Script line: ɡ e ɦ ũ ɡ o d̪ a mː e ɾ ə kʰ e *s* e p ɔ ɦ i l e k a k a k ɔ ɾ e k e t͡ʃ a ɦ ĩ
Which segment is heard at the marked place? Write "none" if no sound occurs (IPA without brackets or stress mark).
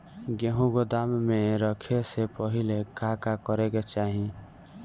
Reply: s